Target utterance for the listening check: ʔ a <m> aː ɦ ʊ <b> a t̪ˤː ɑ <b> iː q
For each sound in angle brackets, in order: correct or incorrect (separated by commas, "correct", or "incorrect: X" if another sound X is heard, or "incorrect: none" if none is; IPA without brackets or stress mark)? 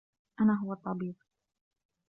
incorrect: n, incorrect: w, correct